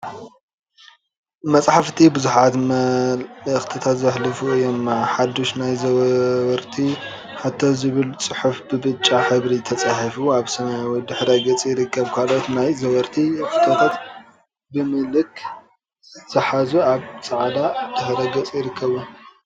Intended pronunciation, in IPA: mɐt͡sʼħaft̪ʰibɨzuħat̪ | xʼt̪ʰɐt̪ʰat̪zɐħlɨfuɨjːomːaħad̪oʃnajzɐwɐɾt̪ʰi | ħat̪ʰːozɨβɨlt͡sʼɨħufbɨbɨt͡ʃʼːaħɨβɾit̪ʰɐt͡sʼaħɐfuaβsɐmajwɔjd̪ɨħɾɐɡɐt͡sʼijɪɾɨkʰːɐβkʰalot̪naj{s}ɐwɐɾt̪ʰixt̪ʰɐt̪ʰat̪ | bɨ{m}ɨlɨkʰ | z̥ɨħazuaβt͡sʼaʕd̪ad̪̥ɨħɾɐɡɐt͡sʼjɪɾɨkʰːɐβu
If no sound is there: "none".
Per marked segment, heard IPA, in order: z, m

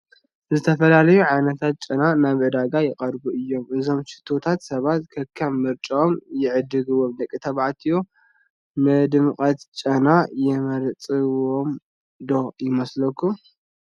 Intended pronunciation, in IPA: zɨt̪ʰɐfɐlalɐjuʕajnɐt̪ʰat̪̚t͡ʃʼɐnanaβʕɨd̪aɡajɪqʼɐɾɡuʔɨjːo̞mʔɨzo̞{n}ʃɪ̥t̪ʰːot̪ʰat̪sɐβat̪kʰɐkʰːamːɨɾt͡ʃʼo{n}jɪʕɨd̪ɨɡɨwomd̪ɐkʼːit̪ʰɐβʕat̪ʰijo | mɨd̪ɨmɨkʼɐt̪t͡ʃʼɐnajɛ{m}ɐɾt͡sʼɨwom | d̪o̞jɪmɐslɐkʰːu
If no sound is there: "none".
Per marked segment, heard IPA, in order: m, m, m

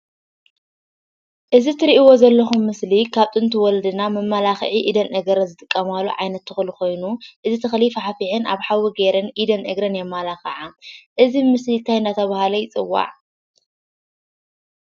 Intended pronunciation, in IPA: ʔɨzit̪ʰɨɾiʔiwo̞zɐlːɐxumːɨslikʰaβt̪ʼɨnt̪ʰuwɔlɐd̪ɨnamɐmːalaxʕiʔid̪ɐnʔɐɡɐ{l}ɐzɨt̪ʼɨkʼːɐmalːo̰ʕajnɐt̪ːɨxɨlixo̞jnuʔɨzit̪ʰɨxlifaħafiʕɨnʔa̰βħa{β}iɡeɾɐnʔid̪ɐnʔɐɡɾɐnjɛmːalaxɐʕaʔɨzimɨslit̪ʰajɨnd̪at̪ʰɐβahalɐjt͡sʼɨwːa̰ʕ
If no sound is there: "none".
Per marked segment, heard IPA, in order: ɾ, w

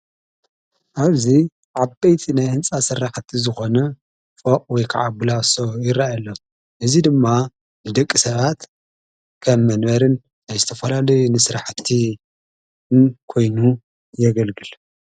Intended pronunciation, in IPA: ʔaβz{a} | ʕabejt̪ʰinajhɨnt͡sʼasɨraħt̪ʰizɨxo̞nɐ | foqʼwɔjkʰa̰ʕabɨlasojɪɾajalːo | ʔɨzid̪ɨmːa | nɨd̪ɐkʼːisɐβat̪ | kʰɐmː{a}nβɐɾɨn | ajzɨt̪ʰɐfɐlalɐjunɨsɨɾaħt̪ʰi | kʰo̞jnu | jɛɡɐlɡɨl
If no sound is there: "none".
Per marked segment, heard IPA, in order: i, ɐ

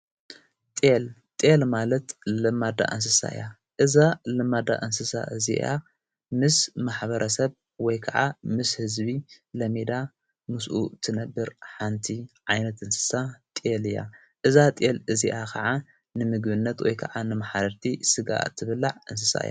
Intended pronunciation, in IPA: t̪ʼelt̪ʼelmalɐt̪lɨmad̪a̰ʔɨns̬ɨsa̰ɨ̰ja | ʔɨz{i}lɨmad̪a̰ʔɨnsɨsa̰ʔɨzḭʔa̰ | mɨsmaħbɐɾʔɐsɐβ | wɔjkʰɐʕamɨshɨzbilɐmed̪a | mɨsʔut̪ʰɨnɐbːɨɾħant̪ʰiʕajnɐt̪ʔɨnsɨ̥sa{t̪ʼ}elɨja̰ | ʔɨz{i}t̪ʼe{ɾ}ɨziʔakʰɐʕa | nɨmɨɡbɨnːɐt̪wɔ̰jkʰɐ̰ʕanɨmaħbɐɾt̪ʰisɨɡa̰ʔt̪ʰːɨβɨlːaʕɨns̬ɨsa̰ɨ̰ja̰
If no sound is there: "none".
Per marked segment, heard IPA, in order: a, t̪ʼ, a, l

